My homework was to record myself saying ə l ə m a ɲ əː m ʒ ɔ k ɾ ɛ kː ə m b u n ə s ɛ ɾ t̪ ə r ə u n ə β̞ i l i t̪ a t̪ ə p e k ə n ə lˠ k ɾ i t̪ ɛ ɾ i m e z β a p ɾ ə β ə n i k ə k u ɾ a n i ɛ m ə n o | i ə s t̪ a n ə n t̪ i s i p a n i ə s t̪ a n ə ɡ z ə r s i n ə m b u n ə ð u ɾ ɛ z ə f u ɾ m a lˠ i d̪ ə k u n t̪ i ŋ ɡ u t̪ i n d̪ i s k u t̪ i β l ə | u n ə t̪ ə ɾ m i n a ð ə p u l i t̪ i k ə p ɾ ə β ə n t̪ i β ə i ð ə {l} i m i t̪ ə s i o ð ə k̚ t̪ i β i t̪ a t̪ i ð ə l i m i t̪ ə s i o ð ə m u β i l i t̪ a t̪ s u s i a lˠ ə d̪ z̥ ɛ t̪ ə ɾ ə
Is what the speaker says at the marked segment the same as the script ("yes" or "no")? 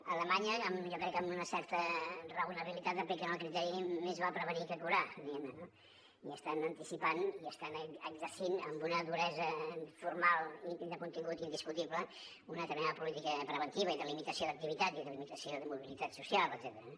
yes